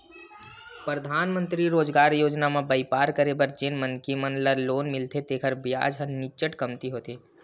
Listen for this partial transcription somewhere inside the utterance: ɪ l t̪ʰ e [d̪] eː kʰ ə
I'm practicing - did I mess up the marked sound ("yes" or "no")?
yes